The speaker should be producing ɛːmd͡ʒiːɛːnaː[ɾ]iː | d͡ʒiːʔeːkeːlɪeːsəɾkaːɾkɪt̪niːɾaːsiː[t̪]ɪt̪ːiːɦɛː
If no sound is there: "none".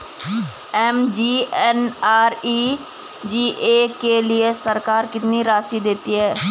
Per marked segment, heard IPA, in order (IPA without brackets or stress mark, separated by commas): ɾ, d̪